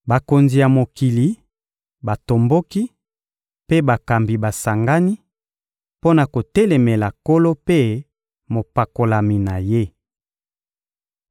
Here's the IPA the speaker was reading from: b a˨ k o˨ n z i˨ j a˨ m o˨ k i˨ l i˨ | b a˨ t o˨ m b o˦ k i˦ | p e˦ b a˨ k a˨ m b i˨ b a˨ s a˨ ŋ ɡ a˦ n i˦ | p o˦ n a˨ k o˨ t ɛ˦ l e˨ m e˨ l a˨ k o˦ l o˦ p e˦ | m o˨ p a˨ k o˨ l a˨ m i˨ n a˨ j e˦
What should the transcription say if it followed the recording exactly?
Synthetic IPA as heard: b a˨ k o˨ n z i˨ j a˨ m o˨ k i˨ l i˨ | b a˨ t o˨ m b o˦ k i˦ | p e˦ b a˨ k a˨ m b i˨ b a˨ s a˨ ŋ ɡ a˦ n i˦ | p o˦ n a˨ k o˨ t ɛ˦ l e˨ m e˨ l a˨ k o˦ l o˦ p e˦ | m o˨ p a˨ k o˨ l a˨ m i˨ n a˨ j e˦

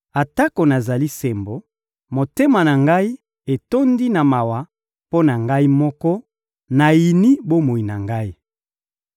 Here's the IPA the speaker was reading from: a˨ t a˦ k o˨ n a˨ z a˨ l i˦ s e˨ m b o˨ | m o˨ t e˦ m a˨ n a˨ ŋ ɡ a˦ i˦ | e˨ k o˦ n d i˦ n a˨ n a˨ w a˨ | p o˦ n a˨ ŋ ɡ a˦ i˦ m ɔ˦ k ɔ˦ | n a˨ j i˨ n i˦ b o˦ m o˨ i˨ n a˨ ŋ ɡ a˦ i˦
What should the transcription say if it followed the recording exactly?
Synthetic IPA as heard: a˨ t a˦ k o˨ n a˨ z a˨ l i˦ s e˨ m b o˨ | m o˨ t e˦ m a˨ n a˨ ŋ ɡ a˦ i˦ | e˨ t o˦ n d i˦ n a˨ m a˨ w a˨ | p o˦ n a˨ ŋ ɡ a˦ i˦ m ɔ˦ k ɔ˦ | n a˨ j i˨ n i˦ b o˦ m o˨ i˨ n a˨ ŋ ɡ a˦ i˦

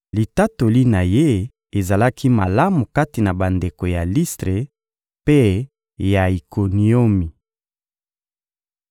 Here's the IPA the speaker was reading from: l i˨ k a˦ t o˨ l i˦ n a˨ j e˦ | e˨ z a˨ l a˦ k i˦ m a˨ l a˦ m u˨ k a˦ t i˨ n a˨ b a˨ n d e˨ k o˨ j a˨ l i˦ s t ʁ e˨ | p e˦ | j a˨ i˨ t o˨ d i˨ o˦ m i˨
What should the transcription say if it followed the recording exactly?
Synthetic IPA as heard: l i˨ t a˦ t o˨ l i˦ n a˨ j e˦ | e˨ z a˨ l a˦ k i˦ m a˨ l a˦ m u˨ k a˦ t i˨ n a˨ b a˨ n d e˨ k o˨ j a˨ l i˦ s t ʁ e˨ | p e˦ | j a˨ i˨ k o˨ n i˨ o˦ m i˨

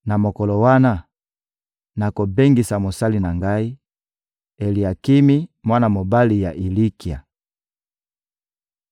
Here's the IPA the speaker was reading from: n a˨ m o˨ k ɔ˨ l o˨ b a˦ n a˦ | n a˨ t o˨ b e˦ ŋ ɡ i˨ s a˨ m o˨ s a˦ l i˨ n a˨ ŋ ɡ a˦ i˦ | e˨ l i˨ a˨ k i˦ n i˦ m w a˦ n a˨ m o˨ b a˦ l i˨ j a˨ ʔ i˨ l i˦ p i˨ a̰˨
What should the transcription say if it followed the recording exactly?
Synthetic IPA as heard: n a˨ m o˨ k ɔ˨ l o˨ w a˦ n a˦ | n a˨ k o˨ b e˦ ŋ ɡ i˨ s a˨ m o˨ s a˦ l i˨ n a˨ ŋ ɡ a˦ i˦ | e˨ l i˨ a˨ k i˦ m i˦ m w a˦ n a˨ m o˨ b a˦ l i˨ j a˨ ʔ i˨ l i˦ k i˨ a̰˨

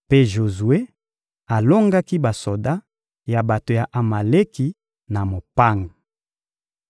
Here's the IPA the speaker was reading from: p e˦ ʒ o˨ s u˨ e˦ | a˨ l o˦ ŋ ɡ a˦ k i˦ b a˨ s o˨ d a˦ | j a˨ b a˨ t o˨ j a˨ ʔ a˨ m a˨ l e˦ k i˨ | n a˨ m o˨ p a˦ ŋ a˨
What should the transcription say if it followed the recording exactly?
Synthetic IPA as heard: p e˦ ʒ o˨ z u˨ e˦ | a˨ l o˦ ŋ ɡ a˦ k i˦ b a˨ s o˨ d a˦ | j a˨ b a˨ t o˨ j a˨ ʔ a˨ m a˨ l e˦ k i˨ | n a˨ m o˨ p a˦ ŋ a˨

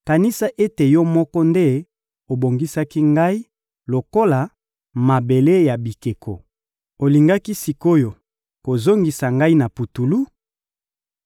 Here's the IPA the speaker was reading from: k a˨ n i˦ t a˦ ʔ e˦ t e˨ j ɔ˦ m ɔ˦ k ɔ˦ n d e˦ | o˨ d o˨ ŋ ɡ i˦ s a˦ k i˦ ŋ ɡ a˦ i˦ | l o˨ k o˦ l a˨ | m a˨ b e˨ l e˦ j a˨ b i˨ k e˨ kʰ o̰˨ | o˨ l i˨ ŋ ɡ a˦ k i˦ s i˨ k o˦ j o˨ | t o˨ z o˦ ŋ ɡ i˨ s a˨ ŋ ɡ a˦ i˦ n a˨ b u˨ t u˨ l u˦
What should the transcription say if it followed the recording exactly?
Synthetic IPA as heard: k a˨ n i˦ s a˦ ʔ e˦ t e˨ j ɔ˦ m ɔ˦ k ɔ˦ n d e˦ | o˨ b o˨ ŋ ɡ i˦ s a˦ k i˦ ŋ ɡ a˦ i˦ | l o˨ k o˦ l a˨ | m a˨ b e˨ l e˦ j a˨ b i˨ k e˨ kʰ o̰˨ | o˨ l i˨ ŋ ɡ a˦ k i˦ s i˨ k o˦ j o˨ | k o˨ z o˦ ŋ ɡ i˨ s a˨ ŋ ɡ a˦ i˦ n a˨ p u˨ t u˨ l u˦

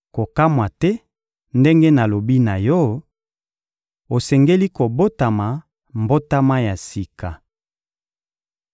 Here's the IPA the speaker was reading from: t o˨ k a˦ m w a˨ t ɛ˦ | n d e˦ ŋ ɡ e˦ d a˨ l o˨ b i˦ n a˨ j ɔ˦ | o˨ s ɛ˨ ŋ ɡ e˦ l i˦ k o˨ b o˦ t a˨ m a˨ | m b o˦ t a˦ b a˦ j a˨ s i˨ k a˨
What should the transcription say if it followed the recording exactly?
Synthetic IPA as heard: k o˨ k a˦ m w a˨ t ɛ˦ | n d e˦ ŋ ɡ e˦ n a˨ l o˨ b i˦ n a˨ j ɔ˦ | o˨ s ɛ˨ ŋ ɡ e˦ l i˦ k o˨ b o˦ t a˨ m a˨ | m b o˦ t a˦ m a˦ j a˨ s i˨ k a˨

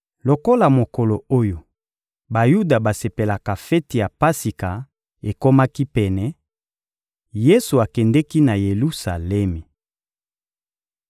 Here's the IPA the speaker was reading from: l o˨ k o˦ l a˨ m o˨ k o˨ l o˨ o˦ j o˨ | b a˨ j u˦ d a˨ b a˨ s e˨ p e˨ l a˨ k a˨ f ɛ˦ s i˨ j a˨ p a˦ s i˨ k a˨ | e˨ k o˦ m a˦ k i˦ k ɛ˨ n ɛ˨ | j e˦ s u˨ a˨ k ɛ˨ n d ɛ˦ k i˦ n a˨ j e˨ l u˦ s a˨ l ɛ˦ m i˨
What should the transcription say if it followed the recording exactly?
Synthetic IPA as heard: l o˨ k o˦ l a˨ m o˨ k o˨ l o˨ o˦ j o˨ | b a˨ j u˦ d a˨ b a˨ s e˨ p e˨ l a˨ k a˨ f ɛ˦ t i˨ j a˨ p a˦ s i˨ k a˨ | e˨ k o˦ m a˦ k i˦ p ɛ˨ n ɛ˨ | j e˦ s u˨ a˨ k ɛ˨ n d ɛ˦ k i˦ n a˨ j e˨ l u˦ s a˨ l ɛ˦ m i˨

